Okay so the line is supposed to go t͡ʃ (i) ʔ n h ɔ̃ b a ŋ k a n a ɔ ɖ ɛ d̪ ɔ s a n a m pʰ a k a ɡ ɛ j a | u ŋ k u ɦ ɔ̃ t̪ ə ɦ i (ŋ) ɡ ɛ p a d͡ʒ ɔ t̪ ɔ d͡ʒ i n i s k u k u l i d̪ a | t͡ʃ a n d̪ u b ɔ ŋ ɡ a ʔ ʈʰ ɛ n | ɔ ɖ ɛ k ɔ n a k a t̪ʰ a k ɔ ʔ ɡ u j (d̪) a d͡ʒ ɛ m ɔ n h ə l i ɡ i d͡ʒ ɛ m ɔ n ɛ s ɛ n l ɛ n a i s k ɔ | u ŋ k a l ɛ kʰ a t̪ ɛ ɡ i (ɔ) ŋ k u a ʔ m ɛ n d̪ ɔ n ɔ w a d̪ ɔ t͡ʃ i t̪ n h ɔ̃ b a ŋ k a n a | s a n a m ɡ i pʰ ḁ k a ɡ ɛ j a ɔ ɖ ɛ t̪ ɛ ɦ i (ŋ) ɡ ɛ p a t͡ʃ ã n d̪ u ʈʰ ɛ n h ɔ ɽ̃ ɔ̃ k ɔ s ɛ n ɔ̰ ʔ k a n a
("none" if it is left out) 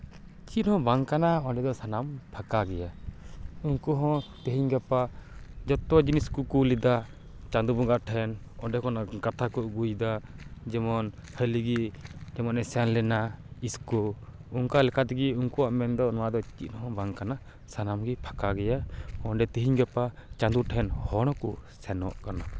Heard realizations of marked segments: i, ɲ, d̪, u, ɲ

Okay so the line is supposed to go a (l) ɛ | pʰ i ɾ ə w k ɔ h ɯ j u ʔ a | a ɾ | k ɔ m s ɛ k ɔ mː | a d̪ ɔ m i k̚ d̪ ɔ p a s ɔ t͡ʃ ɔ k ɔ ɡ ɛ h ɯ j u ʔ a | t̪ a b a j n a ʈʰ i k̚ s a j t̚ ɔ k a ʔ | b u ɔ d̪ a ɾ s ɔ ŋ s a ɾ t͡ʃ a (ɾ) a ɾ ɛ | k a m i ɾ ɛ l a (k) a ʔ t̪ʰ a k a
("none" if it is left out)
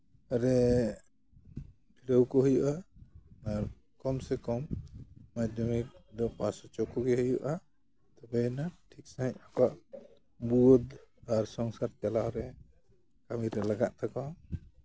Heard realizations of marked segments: ɾ, l, ɡ

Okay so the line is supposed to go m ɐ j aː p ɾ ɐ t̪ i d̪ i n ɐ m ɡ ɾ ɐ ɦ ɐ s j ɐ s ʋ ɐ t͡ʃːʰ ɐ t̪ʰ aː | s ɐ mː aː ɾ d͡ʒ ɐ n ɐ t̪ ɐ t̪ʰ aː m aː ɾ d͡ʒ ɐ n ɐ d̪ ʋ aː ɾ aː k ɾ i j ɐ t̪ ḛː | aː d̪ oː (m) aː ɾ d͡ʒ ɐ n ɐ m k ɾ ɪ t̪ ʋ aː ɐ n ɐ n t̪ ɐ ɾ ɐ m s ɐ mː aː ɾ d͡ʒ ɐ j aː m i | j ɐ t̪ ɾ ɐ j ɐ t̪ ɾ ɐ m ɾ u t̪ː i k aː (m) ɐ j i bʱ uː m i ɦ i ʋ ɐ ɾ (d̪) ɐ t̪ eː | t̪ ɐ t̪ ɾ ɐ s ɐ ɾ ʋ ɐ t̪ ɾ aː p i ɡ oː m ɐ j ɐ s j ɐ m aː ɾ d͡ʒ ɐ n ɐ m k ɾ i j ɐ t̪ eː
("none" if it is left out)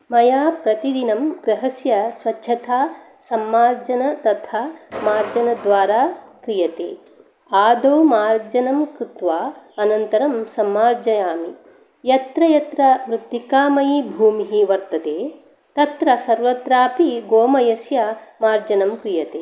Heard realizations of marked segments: m, m, t̪

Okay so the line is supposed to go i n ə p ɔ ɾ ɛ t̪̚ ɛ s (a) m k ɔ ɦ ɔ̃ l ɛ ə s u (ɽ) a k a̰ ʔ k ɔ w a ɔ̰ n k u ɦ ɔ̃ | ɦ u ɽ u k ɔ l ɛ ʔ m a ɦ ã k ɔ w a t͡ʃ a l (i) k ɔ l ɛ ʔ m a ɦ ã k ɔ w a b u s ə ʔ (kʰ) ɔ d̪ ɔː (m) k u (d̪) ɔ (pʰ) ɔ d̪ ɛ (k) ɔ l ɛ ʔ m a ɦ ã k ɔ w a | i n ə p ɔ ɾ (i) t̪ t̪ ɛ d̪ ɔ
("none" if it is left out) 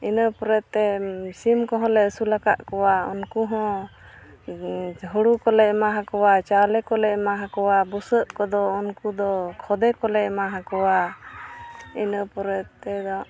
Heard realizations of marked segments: i, l, ɛ, k, n, d̪, kʰ, k, ɛ

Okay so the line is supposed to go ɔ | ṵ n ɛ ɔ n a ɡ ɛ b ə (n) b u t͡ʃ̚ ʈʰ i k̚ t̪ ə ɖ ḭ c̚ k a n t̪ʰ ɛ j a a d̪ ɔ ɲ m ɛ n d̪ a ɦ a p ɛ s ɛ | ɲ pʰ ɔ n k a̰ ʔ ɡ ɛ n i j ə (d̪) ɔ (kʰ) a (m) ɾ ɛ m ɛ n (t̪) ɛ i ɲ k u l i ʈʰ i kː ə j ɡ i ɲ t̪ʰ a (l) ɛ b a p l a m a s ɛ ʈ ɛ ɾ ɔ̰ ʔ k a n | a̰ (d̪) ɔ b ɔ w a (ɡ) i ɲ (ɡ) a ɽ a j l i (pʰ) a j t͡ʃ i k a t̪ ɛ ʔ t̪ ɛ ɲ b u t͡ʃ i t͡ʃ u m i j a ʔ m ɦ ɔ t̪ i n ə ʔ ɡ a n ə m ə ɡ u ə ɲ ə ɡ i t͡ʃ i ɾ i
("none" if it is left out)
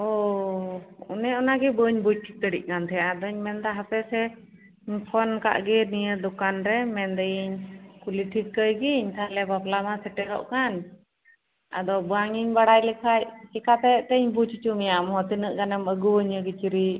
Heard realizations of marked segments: ɲ, d̪, k, n, d̪, l, d̪, ŋ, b, kʰ

